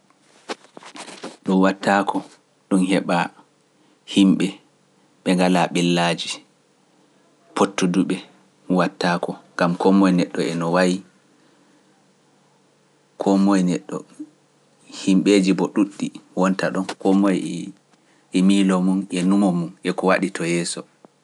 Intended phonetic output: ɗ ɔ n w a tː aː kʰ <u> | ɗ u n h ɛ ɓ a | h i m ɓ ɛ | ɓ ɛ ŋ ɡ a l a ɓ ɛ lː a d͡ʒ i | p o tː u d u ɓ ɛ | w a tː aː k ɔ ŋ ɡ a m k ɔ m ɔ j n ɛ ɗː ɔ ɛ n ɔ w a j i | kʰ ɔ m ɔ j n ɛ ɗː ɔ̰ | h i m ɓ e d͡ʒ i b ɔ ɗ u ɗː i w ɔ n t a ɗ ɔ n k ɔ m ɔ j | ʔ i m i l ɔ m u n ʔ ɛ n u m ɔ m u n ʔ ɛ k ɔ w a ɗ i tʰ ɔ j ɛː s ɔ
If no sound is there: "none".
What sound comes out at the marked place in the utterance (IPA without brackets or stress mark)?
ɔ